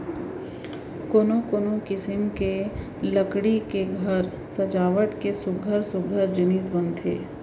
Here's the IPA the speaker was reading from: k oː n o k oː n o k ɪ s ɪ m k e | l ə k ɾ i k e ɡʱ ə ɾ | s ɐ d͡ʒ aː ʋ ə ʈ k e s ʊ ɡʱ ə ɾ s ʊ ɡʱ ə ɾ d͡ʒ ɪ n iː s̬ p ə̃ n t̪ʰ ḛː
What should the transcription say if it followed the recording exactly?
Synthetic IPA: k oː n o k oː n o k ɪ s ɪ m k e | l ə k ɽ i k e ɡʱ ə ɾ | s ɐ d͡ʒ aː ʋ ə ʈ k e s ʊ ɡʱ ə ɾ s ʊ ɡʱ ə ɾ d͡ʒ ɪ n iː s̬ b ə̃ n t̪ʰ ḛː